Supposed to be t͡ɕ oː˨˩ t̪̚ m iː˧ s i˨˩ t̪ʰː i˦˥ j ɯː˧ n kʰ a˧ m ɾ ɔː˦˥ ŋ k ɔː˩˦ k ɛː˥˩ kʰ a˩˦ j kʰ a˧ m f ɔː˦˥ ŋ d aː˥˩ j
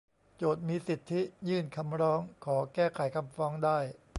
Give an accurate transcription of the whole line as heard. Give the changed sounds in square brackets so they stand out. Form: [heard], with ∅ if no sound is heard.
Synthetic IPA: t͡ɕ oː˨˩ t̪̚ m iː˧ s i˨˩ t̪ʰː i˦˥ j [ɯː˥˩] n kʰ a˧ m ɾ ɔː˦˥ ŋ [kʰ] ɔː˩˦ k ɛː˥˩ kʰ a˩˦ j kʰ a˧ m f ɔː˦˥ ŋ d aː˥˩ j